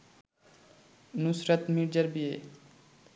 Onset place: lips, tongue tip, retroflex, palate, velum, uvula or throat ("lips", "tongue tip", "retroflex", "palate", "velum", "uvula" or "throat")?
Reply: tongue tip